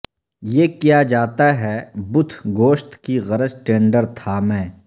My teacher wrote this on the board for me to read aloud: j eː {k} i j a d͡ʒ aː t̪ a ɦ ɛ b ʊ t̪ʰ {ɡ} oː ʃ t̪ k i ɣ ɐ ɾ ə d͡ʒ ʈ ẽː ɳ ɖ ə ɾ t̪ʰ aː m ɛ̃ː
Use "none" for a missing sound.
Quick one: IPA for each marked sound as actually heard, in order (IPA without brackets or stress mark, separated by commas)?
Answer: k, ɡ